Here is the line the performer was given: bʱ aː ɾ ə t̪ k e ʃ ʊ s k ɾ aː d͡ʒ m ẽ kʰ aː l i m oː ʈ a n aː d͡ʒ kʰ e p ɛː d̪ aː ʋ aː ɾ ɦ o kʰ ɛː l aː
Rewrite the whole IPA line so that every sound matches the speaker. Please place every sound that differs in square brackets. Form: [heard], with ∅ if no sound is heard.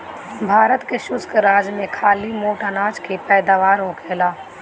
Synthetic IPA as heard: bʱ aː ɾ ə t̪ k e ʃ ʊ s k ɾ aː d͡ʒ m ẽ kʰ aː l i m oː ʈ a n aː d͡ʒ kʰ e p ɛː d̪ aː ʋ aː ɾ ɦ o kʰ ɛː l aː